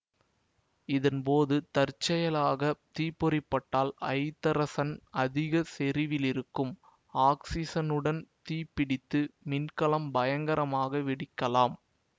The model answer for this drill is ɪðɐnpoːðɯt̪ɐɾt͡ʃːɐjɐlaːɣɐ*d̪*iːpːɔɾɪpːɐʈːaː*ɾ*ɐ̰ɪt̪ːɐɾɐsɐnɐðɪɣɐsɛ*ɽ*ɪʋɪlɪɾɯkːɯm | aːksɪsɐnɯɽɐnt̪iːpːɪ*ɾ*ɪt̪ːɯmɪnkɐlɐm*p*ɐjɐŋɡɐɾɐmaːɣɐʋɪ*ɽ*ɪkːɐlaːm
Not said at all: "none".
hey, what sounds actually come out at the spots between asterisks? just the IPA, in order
t̪, l, ɾ, ɽ, b, ɽ

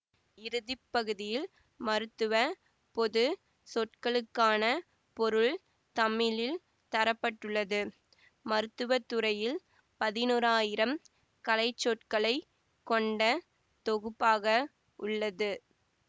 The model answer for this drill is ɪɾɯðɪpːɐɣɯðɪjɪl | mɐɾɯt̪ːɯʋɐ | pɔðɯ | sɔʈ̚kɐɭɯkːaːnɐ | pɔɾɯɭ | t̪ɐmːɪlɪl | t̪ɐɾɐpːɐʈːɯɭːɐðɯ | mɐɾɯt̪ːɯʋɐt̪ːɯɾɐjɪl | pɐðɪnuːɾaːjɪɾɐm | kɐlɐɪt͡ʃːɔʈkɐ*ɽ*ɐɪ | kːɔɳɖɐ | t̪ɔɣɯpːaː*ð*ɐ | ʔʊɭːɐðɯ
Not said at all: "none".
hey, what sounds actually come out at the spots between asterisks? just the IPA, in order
ɭ, ɣ

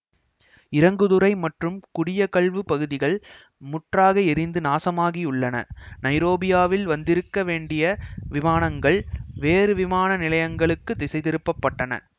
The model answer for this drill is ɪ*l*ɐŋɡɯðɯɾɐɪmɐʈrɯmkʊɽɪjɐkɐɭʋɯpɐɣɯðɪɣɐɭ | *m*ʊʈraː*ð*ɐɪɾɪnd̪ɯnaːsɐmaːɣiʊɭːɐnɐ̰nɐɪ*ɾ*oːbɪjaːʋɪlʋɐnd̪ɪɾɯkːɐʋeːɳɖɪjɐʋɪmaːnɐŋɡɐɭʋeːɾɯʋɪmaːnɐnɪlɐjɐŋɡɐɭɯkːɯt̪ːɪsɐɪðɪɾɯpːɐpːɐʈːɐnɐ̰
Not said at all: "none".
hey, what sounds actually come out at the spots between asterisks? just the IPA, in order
ɾ, m, ɣ, ɾ

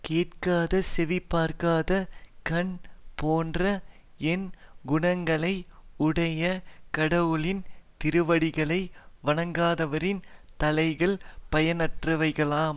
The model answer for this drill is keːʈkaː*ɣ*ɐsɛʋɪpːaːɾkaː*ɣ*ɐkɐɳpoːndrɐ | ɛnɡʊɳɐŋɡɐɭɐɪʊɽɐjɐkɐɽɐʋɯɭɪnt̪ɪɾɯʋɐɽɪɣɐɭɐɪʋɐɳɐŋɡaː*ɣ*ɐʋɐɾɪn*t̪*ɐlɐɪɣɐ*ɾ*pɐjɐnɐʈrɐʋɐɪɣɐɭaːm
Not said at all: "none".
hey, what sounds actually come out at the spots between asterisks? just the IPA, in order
ð, ð, ð, t̪, ɭ

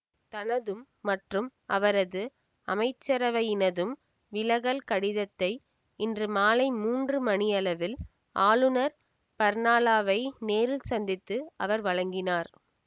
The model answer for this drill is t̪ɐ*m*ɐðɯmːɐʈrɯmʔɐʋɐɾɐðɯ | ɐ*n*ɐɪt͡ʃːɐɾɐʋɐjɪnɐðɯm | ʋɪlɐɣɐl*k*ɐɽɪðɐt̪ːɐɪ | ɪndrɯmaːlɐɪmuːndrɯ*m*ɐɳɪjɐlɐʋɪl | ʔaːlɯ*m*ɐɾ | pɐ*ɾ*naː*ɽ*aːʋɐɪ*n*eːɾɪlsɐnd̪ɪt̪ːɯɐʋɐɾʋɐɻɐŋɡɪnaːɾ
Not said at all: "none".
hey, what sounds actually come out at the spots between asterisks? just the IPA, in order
n, m, k, m, n, ɾ, l, n

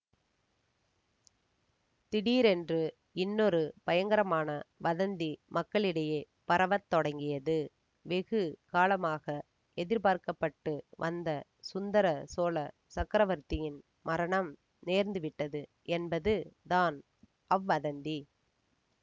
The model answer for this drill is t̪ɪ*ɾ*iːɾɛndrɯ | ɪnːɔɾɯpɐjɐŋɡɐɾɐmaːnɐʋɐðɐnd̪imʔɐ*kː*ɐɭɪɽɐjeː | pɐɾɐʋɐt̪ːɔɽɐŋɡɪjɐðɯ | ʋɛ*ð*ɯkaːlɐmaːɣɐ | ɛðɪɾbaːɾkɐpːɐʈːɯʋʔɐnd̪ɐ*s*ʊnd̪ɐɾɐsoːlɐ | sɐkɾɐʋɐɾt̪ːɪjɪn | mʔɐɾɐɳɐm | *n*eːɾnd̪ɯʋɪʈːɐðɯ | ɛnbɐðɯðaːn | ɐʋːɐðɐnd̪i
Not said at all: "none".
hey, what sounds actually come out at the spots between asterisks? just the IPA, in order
ɽ, kː, ɣ, s, n

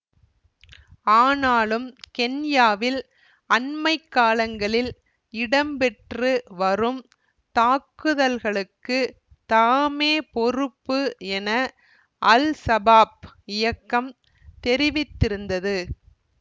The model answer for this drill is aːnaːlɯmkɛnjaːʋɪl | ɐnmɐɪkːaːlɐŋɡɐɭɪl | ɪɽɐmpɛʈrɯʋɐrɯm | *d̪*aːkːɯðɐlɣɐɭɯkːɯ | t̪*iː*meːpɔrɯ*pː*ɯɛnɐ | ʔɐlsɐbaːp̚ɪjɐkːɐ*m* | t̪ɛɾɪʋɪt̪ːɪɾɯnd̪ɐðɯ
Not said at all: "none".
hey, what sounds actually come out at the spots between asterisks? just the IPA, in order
t̪, aː, pː, m

